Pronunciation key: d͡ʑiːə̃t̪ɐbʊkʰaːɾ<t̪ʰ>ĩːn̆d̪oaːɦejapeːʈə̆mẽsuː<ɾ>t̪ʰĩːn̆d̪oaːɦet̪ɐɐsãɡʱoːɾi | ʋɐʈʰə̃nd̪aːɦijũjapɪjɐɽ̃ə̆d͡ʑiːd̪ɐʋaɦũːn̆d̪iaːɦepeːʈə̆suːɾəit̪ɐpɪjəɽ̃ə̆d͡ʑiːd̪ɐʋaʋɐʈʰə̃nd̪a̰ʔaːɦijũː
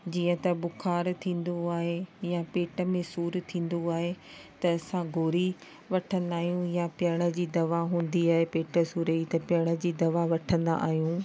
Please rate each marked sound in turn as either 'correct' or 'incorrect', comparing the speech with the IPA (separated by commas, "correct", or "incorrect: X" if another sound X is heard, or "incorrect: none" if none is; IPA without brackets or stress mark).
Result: correct, correct